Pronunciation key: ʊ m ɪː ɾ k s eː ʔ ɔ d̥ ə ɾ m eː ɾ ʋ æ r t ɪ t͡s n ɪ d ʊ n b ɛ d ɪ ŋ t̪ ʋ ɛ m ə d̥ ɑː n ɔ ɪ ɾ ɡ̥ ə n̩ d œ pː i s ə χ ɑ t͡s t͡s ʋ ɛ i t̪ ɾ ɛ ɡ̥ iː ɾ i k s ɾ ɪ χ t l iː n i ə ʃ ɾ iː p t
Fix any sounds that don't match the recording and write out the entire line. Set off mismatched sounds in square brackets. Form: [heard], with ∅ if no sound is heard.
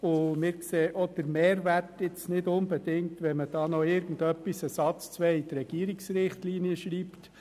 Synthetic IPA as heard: ʊ m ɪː ɾ k s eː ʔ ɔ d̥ ə ɾ m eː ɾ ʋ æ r t ɪ t͡s n ɪ d ʊ n b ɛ d ɪ ŋ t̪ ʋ ɛ m ə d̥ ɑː n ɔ ɪ ɾ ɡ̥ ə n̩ d œ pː i s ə [s] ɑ t͡s t͡s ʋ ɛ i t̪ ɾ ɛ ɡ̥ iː ɾ i k s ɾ ɪ χ t l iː n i ə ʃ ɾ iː p t

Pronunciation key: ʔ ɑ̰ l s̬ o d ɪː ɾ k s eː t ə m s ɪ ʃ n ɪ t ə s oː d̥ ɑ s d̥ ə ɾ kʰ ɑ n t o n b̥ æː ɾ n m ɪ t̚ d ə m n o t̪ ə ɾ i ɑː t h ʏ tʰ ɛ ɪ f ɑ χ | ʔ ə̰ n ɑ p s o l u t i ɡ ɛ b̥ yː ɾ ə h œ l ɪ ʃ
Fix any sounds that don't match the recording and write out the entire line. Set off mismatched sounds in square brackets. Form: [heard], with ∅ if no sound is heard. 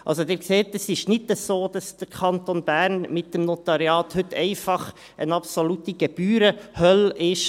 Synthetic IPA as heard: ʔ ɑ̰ l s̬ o d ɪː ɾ k s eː t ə [∅] s ɪ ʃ n ɪ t ə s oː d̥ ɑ s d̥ ə ɾ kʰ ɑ n t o n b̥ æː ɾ n m ɪ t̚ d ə m n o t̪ [ɑ] ɾ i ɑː t h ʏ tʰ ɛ ɪ f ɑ χ | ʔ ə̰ n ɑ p s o l u t i ɡ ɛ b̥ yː ɾ ə h œ l ɪ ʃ

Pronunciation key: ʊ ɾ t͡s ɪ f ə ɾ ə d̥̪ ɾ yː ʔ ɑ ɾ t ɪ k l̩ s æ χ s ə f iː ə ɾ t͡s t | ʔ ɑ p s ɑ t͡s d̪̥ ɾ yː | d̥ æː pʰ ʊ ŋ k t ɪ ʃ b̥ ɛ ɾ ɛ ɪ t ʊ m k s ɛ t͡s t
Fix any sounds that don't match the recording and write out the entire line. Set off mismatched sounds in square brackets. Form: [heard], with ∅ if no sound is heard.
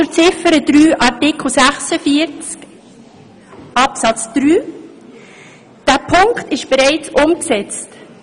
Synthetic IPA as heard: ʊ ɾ t͡s ɪ f ə ɾ ə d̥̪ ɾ yː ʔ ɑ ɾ t ɪ k l̩ s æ χ s ə f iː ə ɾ t͡s [k] | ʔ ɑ p s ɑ t͡s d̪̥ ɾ yː | d̥ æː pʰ ʊ ŋ k t ɪ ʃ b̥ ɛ ɾ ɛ ɪ [t͡s] ʊ m k s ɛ t͡s t

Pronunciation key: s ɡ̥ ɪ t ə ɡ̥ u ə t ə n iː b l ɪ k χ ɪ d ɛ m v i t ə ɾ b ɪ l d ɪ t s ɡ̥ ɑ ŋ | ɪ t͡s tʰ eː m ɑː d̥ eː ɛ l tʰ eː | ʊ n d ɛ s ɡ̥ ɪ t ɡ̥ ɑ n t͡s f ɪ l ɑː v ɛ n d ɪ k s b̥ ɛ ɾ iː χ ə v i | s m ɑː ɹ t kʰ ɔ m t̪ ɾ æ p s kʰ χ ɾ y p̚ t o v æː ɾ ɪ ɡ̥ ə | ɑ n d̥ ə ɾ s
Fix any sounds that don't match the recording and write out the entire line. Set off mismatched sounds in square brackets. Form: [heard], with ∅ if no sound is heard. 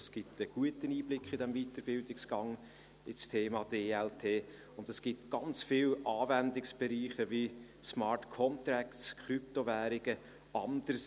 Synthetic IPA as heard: s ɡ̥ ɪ t ə ɡ̥ u ə t ə n iː b l ɪ k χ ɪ d ɛ m v i t ə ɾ b ɪ l d ɪ [k] s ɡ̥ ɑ ŋ | ɪ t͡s tʰ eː m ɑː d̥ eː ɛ l tʰ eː | ʊ n d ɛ s ɡ̥ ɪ t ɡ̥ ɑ n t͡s f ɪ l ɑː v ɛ n d ɪ k s b̥ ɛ ɾ iː χ ə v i | s m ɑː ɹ t kʰ ɔ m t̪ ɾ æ [k] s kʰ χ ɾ y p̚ t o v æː ɾ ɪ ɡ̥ ə | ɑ n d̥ ə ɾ s

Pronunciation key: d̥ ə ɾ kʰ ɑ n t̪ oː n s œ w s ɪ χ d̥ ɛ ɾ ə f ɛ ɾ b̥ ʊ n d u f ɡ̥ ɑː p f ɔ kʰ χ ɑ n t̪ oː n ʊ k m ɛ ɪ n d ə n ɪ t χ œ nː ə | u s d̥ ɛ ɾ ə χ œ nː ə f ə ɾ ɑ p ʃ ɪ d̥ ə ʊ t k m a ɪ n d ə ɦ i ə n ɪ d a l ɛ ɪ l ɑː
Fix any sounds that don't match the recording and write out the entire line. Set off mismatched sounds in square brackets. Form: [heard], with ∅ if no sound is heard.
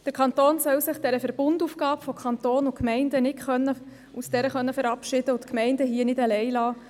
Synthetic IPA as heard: d̥ ə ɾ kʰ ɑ n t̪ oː n s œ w s ɪ χ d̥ ɛ ɾ ə f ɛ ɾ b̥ ʊ n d u f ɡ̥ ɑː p f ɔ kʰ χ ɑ n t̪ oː n ʊ k m ɛ ɪ n d ə n ɪ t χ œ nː ə | u s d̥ ɛ ɾ ə χ œ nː ə f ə ɾ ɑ p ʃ ɪ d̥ ə ʊ t k m [ɛ] ɪ n d ə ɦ i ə n ɪ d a l ɛ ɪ l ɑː

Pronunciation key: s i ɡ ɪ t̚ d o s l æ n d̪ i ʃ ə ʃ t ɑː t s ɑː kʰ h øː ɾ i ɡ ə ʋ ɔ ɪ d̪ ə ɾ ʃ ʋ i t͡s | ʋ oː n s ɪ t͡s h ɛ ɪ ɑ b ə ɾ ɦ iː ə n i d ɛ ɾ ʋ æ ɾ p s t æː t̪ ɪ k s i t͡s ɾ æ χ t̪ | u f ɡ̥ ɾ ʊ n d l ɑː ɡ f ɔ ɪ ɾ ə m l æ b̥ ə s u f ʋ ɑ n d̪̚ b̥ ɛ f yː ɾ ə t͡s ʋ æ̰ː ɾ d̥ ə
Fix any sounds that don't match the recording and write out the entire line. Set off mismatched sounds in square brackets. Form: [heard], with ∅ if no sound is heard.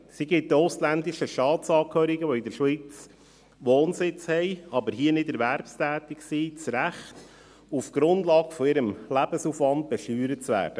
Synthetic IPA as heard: s i ɡ ɪ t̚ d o s l æ n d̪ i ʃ ə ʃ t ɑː t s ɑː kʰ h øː ɾ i ɡ ə ʋ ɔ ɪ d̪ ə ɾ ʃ ʋ i t͡s | ʋ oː n s ɪ t͡s h ɛ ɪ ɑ b ə ɾ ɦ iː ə n [ɪ] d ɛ ɾ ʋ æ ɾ p s t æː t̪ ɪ k s i t͡s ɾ æ χ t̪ | u f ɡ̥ ɾ ʊ n d l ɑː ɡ f ɔ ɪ ɾ ə m l æ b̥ ə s u f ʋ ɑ n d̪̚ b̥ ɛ [ʃ] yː ɾ ə t͡s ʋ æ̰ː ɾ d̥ ə

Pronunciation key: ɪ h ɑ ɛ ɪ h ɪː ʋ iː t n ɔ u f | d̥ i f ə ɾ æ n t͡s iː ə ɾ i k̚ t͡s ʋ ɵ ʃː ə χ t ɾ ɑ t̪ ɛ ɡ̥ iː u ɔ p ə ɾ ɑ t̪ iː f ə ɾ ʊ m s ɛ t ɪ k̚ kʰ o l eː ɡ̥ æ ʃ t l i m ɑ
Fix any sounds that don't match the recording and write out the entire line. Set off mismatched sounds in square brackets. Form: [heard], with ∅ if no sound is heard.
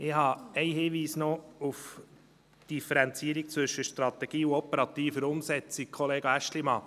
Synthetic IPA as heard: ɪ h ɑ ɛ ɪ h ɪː ʋ iː [s] n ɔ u f | d̥ i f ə ɾ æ n t͡s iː ə ɾ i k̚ t͡s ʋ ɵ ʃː ə [ʃ] t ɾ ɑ t̪ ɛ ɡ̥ iː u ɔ p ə ɾ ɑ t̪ iː f ə ɾ ʊ m s ɛ [t͡s] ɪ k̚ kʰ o l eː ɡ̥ æ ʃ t l i m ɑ

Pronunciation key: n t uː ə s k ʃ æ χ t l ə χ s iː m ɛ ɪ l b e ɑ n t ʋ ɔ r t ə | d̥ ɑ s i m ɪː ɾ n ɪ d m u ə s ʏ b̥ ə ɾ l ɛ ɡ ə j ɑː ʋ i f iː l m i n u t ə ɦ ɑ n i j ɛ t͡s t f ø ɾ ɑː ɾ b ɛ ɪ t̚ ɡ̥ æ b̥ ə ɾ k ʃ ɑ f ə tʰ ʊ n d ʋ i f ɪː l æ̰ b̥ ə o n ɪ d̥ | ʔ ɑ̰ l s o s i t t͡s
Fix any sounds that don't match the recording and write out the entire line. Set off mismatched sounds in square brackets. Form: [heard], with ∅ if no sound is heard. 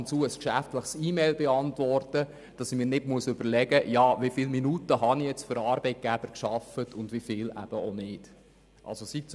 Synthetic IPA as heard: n [t͡s] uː ə s k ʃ æ [f] t l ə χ s iː m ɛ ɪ l b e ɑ n t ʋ ɔ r t ə | d̥ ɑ s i m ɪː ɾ n ɪ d m u ə s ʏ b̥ ə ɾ l ɛ ɡ ə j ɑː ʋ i f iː l m i n u t ə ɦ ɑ n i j ɛ t͡s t f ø ɾ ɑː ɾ b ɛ ɪ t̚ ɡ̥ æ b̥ ə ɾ k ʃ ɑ f ə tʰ ʊ n d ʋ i f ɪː l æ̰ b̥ ə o n ɪ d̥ | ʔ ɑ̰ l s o s i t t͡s

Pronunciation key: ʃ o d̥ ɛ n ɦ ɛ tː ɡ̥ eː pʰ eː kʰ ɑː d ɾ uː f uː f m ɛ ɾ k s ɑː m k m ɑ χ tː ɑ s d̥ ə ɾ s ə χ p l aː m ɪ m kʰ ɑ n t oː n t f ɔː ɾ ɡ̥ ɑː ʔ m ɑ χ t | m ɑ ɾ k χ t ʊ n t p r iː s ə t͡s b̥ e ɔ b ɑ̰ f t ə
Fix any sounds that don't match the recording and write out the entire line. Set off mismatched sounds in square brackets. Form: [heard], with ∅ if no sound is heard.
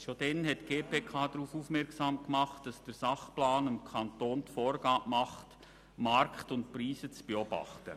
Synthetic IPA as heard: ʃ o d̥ ɛ n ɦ ɛ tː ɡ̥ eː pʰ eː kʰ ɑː d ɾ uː f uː f m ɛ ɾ k s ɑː m k m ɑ χ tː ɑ s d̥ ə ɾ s [ɑ] χ p l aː [n] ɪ m kʰ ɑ n t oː n t f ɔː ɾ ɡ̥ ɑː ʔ m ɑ χ t | m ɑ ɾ k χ t ʊ n t p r iː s ə t͡s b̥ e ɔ b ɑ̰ [χ] t ə

